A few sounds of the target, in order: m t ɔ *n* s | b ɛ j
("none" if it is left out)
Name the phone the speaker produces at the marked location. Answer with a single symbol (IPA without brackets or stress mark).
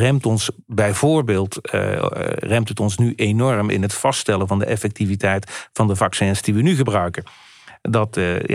n